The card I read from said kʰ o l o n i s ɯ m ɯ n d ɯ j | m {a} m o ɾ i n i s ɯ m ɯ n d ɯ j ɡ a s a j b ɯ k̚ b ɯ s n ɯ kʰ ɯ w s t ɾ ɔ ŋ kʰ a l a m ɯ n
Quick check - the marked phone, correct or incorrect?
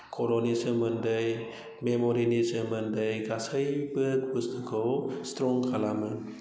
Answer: incorrect: e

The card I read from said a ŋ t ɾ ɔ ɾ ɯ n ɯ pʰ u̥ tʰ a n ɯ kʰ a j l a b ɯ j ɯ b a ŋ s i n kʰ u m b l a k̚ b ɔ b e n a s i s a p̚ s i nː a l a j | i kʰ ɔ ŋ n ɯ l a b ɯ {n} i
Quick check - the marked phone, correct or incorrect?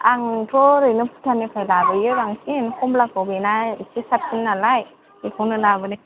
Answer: correct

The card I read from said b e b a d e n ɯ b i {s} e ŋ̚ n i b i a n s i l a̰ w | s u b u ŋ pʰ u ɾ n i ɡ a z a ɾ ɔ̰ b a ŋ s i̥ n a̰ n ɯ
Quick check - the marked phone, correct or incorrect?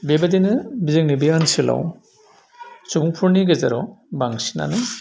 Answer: incorrect: z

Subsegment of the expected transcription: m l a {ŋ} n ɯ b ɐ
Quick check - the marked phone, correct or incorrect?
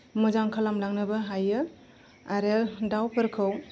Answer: correct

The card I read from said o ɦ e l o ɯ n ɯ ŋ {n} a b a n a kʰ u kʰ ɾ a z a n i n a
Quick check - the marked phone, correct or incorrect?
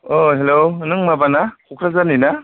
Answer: incorrect: m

